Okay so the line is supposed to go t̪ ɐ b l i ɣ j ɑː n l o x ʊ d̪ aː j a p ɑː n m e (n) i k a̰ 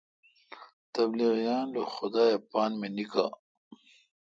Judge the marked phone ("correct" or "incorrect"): correct